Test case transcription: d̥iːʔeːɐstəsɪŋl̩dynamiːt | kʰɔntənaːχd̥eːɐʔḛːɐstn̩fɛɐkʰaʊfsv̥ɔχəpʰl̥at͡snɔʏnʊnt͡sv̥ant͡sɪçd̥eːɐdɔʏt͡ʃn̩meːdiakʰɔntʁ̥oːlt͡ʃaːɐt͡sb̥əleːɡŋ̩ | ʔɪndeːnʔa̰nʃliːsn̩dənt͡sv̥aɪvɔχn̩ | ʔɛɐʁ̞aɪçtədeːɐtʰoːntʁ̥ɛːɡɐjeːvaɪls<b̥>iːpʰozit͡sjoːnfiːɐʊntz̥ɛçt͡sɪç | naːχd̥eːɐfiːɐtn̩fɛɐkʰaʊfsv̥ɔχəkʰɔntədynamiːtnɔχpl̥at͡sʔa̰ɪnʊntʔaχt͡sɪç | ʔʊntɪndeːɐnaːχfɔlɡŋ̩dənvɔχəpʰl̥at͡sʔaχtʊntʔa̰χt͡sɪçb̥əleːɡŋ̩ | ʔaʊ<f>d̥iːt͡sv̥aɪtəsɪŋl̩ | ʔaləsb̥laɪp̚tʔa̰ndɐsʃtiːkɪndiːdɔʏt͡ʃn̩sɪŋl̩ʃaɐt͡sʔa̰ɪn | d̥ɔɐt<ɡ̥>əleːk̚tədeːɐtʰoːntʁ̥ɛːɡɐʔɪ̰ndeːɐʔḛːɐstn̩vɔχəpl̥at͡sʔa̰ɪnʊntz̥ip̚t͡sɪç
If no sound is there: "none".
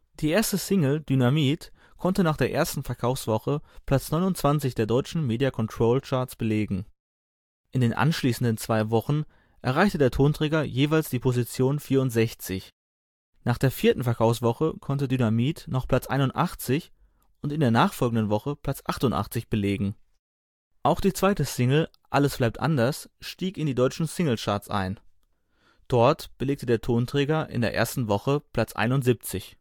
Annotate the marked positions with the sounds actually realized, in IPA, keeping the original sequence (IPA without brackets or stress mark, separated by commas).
d̥, x, b̥